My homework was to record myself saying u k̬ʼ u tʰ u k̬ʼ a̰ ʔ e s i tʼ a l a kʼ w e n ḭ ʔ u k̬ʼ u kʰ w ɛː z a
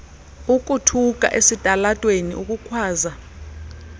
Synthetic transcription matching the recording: u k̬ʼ u tʰ u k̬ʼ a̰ ʔ e s i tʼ a l a tʼ w e n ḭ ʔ u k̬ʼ u kʰ w aː z a